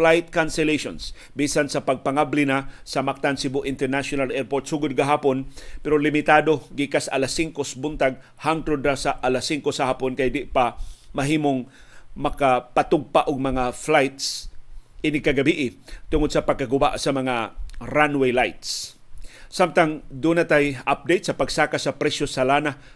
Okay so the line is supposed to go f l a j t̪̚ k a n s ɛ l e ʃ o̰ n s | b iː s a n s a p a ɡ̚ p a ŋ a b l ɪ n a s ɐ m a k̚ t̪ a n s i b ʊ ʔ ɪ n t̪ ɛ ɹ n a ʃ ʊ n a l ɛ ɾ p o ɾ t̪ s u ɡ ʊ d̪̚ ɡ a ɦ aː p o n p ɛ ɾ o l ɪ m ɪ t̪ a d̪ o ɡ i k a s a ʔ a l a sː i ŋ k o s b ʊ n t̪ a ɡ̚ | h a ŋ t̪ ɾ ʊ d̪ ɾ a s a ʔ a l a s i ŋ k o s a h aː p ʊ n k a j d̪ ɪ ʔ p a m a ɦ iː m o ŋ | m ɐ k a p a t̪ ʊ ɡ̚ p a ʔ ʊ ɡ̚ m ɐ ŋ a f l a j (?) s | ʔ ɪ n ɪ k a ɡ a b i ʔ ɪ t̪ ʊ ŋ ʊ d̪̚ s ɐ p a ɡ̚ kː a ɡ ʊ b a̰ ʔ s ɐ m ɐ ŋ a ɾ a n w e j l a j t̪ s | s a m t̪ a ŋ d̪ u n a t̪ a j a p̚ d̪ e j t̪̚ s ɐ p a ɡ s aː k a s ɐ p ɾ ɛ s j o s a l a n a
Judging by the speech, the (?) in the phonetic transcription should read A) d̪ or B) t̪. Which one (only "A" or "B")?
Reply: B